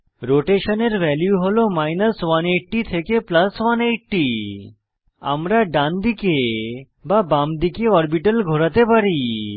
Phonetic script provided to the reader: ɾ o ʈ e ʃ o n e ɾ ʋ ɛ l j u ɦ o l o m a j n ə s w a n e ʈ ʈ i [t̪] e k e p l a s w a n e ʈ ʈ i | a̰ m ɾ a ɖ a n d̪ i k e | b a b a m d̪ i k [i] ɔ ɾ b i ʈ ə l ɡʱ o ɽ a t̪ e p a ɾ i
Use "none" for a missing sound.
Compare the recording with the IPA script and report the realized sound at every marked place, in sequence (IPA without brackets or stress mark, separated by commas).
t̪ʰ, e